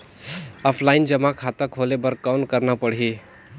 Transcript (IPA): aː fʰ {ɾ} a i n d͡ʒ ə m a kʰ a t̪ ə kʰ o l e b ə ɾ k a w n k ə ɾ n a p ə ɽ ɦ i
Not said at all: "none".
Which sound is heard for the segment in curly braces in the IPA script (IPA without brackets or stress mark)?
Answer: l